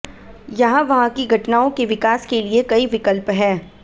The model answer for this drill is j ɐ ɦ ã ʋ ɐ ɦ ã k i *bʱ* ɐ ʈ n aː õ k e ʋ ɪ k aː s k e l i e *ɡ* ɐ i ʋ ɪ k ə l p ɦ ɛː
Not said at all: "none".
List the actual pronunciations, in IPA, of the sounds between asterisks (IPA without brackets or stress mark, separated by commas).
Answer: ɡʱ, k